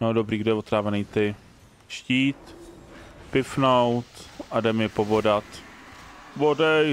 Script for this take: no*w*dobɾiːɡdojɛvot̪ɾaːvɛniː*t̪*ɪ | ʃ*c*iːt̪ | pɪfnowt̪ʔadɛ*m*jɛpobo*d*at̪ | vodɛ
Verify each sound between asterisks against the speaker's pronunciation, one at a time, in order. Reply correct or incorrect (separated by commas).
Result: incorrect, correct, correct, correct, correct